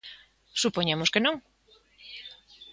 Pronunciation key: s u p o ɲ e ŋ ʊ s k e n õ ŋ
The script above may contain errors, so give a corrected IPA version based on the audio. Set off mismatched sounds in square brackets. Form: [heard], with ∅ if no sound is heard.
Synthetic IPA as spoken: s u p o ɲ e [m] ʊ s k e n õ ŋ

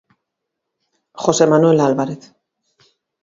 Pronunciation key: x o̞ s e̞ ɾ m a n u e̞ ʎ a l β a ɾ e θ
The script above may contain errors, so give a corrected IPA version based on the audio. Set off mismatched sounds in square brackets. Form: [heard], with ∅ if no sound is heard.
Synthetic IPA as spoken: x o̞ s e̞ [∅] m a n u e̞ [l] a l β a ɾ e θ

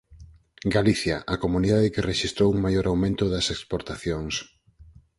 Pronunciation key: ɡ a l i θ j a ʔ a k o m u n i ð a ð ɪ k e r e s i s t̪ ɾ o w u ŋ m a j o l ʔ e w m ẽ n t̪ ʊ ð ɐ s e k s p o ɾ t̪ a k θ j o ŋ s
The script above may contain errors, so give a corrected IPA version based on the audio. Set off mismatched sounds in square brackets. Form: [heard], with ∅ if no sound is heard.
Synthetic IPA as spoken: ɡ a l i θ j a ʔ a k o m u n i ð a ð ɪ k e r e [ʃ] i s t̪ ɾ o w u ŋ m a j o [ɾ] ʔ [a] w m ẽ n t̪ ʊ ð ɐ s e k s p o ɾ t̪ a [∅] θ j o ŋ s

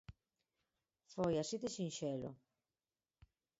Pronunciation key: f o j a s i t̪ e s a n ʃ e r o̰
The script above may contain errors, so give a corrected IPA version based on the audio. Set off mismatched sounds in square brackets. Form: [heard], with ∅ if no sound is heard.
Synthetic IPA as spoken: f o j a s i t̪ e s [i] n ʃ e [l] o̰

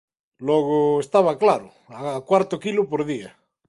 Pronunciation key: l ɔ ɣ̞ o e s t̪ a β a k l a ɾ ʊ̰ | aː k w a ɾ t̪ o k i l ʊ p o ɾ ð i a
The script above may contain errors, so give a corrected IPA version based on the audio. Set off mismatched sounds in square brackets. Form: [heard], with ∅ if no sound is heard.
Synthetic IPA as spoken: l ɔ ɣ̞ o e s t̪ a β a k l a ɾ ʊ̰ | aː k w a ɾ t̪ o k i l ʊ p o ɾ ð i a

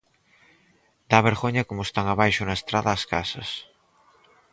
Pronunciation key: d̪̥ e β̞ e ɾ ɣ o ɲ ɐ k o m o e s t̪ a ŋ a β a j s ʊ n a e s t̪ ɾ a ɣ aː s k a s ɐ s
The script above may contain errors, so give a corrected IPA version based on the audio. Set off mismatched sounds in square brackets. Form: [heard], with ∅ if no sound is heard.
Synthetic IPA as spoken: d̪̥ [a] β̞ e ɾ ɣ o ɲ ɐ k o m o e s t̪ a ŋ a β a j [ʃ] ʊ n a e s t̪ ɾ a [ð] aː s k a s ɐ s

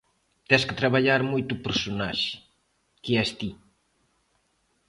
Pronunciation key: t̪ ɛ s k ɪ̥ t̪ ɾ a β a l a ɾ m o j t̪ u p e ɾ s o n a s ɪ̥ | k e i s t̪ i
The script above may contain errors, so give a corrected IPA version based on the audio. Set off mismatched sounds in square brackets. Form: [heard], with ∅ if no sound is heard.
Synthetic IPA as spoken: t̪ ɛ s k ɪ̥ t̪ ɾ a β a [ʎ] a ɾ m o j t̪ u p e ɾ s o n a [ʃ] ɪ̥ | k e [ɛ] s t̪ i

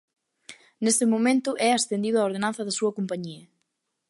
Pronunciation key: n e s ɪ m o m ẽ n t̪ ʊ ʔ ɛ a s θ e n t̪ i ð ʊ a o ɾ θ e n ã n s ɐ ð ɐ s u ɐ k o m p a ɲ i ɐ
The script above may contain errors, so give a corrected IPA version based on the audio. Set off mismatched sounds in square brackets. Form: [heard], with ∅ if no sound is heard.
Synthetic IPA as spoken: n e s ɪ m o m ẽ n t̪ ʊ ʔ ɛ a s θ e n [d̪] i ð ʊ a o ɾ [ð] e n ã n [θ] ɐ ð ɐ s u ɐ k o m p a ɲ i ɐ

